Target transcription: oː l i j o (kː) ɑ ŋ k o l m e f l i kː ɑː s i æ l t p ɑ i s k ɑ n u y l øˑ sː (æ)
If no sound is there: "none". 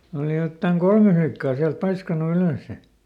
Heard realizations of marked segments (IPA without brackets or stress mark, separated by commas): tː, e